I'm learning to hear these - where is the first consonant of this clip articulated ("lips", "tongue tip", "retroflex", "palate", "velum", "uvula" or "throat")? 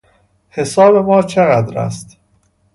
throat